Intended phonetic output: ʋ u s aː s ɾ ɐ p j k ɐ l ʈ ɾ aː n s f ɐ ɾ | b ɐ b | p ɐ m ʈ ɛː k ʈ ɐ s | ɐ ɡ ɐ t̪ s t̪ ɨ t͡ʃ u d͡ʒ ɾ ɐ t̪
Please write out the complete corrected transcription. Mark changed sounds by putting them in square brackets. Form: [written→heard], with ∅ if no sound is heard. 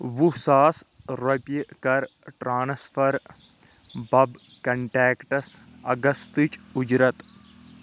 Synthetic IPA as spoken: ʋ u s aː s ɾ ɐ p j k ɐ [l→ɾ] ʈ ɾ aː n s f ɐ ɾ | b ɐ b | [p→k] ɐ [m→ɳ] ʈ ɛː k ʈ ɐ s | ɐ ɡ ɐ [t̪→∅] s t̪ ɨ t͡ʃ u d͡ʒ ɾ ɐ t̪